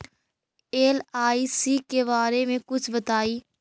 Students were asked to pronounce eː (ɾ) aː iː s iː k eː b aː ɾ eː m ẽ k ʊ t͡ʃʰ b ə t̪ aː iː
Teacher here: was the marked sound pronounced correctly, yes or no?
no